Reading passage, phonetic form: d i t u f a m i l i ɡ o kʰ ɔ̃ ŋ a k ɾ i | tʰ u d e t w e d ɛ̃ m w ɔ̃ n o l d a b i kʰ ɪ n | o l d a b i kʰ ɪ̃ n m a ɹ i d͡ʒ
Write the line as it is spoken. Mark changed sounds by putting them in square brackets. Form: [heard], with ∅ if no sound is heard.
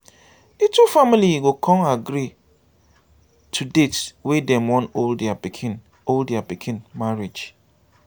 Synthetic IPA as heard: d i t u f a m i l i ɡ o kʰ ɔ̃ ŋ a [ɡ] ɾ i | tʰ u d e t w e d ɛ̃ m w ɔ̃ n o l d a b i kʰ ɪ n | o l d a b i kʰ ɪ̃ n m a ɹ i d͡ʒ